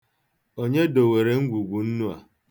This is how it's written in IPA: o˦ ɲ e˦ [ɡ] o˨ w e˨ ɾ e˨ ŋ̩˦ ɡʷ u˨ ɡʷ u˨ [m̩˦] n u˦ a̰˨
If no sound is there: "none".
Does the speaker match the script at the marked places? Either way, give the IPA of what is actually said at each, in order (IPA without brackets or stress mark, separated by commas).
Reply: d, n̩˦